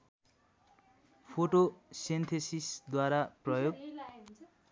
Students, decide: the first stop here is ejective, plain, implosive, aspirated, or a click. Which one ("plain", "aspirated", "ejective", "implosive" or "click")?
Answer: aspirated